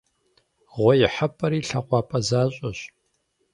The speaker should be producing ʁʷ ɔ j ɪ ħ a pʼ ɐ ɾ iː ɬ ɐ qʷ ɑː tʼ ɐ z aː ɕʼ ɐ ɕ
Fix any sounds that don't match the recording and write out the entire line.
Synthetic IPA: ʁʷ ɔ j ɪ ħ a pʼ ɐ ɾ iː ɬ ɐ qʷ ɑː pʼ ɐ z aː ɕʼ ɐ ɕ